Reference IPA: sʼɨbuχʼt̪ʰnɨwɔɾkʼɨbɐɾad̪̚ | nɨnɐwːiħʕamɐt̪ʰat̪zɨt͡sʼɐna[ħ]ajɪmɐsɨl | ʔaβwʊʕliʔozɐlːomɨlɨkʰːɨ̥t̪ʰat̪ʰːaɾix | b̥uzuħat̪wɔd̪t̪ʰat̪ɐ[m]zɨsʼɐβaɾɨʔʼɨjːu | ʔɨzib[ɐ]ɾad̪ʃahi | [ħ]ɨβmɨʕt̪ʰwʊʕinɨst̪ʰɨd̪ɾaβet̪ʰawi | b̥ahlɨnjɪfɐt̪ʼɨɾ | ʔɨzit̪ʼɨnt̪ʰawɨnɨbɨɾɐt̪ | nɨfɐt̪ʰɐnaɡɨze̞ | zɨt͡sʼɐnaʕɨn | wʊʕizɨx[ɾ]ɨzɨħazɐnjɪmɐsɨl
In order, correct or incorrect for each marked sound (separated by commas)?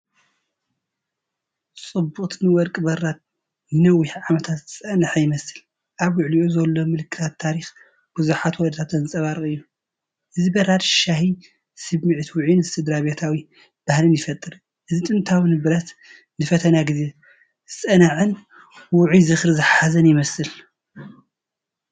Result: correct, incorrect, correct, incorrect, correct